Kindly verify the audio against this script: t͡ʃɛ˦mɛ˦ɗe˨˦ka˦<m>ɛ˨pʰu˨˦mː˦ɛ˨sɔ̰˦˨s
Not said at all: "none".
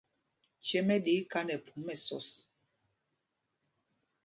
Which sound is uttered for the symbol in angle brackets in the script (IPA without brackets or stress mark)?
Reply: n